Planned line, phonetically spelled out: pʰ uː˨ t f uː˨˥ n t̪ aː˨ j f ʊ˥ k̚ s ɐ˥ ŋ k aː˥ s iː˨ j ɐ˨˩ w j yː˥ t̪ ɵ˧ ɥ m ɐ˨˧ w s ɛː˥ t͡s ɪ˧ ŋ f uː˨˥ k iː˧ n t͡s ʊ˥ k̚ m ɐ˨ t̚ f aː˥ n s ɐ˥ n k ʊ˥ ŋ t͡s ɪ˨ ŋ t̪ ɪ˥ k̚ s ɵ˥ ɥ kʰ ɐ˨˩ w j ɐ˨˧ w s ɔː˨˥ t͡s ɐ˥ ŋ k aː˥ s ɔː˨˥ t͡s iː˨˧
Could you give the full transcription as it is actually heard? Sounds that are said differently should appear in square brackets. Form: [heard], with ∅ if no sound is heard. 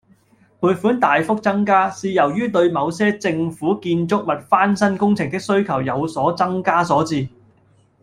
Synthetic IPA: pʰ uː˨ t f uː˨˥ n t̪ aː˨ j f ʊ˥ k̚ [t͡s] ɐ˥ ŋ k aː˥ s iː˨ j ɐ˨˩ w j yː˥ t̪ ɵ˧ ɥ m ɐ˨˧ w s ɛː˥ t͡s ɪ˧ ŋ f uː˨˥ k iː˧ n t͡s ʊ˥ k̚ m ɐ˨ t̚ f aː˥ n s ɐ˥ n k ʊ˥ ŋ [t͡sʰ] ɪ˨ ŋ t̪ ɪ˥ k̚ s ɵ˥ ɥ kʰ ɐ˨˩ w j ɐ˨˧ w s ɔː˨˥ t͡s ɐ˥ ŋ k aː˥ s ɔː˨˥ t͡s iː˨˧